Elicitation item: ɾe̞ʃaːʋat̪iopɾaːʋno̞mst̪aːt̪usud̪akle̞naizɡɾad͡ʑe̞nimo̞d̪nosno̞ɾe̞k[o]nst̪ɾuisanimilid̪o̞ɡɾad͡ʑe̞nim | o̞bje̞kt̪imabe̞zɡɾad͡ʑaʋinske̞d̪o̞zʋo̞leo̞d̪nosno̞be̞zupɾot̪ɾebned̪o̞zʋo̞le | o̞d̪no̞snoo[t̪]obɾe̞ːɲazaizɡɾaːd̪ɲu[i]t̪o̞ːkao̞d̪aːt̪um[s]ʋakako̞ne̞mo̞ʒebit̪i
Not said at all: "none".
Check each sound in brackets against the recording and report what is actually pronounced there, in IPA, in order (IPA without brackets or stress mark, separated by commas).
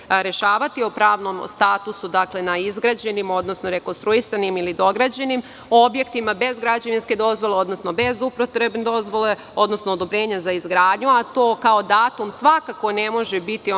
o, d̪, a, s